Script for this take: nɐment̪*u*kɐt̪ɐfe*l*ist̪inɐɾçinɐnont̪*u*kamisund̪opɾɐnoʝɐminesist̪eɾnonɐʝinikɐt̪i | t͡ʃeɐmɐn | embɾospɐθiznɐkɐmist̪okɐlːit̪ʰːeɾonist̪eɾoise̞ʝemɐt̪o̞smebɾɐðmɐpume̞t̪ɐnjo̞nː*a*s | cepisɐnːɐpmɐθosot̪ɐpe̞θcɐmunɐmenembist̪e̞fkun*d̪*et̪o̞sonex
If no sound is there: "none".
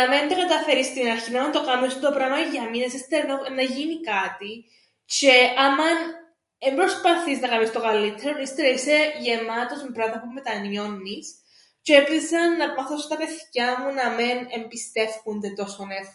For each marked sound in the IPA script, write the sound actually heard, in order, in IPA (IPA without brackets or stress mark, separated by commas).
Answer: o, ɾ, o, i, d̪